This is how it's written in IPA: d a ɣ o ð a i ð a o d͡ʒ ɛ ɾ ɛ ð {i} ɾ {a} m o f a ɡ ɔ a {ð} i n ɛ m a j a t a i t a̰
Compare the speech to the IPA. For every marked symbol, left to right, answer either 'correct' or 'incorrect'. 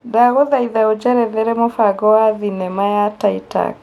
incorrect, incorrect, correct

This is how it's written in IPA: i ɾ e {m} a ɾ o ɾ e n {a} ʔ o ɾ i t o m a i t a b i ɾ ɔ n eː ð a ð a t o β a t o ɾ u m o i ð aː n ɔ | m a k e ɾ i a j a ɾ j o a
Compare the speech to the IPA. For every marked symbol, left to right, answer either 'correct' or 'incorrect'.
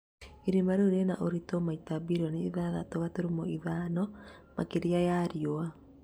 correct, correct

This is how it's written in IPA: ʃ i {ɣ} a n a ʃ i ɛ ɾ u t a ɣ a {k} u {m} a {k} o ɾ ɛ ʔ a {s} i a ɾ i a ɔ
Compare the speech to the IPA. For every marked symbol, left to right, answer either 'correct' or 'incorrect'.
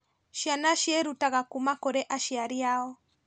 incorrect, correct, correct, correct, incorrect

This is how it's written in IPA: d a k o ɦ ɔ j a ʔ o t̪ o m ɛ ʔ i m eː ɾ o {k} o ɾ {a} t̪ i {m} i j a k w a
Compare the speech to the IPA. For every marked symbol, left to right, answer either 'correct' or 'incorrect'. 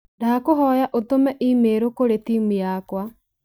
correct, incorrect, correct

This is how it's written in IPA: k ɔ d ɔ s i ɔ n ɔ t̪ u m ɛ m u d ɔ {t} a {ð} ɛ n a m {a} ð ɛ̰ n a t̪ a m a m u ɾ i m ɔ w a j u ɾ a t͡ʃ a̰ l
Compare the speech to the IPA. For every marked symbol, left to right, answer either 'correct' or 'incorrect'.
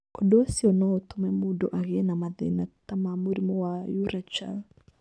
incorrect, incorrect, correct

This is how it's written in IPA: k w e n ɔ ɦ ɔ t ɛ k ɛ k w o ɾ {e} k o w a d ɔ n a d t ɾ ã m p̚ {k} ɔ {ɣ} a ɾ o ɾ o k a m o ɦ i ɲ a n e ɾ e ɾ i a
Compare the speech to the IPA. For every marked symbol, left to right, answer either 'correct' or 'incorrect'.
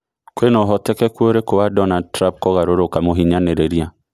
correct, correct, correct

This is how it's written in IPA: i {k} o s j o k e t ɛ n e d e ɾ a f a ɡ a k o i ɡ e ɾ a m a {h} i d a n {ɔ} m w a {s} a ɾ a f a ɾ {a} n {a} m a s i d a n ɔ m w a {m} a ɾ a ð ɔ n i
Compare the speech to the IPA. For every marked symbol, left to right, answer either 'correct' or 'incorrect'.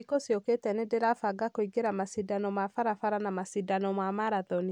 correct, incorrect, correct, incorrect, correct, correct, correct

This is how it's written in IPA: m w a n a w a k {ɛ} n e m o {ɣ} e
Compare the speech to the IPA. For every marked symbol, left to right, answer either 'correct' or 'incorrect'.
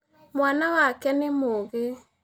correct, correct

